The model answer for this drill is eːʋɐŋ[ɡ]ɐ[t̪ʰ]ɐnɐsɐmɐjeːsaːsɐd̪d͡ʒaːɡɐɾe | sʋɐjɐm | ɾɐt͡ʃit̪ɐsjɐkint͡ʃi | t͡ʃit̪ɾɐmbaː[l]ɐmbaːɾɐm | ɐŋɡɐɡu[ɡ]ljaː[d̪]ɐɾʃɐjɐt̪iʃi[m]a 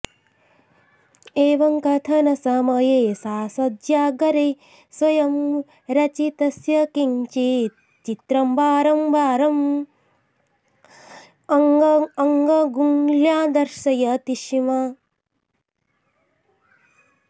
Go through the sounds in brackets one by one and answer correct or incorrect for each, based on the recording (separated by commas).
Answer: incorrect, correct, incorrect, incorrect, correct, correct